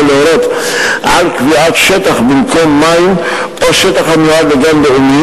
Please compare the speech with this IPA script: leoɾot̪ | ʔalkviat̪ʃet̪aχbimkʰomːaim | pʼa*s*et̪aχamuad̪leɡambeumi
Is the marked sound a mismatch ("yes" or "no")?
yes